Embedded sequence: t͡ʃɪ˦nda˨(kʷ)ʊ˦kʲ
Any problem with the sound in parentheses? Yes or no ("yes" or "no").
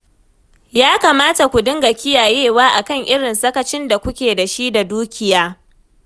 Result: no